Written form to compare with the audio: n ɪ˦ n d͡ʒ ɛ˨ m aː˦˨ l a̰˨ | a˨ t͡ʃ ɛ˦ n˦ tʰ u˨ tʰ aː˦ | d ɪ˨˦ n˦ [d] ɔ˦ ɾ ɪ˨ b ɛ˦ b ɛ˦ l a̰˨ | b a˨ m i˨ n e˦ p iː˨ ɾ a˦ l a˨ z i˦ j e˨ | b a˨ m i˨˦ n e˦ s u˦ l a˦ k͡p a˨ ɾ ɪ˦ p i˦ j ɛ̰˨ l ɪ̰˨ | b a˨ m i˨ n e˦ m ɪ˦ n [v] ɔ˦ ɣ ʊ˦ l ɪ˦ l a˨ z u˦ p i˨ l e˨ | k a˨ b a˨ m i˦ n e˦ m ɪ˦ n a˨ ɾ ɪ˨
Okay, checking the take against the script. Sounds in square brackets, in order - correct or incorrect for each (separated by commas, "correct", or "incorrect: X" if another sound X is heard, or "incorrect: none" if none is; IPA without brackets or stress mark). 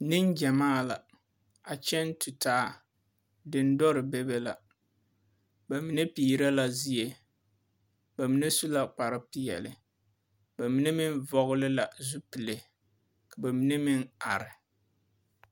correct, correct